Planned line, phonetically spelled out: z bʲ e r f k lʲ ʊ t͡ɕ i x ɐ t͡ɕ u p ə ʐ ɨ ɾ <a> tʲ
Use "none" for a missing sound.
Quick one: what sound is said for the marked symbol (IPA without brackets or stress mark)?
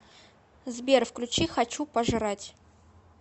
a